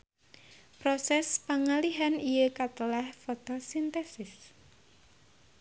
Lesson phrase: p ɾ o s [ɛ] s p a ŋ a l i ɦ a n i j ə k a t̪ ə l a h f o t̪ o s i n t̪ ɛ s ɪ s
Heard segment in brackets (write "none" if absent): ɛ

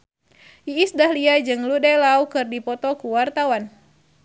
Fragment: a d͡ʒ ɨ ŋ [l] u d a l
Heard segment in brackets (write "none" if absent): l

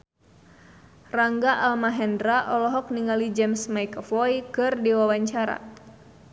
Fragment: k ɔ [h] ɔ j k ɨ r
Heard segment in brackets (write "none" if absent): f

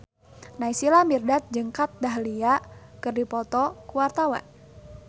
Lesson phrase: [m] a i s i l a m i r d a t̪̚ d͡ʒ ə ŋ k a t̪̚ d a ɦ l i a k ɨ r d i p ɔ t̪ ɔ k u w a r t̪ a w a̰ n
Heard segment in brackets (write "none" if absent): n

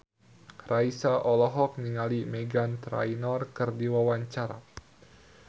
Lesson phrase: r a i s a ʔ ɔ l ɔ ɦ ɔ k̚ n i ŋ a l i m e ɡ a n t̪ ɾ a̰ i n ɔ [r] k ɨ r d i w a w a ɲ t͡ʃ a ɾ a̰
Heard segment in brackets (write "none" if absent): r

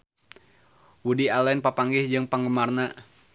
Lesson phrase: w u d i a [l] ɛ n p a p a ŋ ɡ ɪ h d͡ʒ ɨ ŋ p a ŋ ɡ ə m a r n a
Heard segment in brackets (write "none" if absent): l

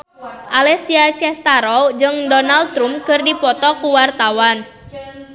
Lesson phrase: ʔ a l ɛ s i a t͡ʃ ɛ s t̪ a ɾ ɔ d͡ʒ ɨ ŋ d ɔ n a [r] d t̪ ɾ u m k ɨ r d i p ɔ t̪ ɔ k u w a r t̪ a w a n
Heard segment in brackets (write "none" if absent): l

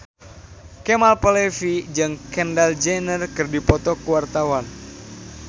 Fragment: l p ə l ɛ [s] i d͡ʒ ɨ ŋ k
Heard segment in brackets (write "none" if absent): f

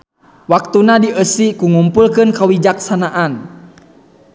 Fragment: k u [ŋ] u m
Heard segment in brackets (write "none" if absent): ŋ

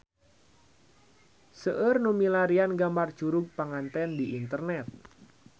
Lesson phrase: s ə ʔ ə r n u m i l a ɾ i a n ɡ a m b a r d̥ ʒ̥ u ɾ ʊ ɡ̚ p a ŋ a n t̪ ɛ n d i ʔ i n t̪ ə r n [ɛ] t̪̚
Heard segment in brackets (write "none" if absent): ɛ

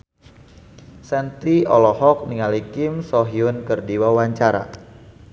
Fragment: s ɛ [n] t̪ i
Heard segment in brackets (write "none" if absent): n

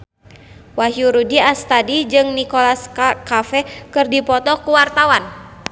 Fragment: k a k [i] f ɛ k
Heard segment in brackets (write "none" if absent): a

